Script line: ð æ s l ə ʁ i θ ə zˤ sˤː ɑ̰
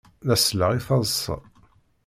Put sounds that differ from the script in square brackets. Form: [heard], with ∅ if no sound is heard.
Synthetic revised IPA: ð æ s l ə ʁ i θ [ɑ] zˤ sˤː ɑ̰